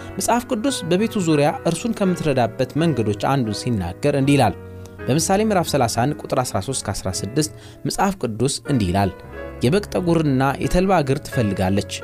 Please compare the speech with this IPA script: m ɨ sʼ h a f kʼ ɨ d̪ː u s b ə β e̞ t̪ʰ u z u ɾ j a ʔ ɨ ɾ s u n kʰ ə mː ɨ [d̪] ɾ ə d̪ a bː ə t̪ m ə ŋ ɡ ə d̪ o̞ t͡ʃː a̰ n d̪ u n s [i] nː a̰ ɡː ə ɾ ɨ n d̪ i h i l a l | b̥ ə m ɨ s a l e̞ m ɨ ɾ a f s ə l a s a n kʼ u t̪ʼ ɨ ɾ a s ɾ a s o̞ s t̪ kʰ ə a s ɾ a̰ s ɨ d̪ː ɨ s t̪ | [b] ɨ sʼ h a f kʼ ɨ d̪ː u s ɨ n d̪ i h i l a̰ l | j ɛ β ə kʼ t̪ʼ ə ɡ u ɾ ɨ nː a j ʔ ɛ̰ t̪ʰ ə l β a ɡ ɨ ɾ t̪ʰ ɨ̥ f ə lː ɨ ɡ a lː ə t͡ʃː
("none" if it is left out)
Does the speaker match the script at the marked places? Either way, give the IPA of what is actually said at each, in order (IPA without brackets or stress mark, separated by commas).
t̪, i, m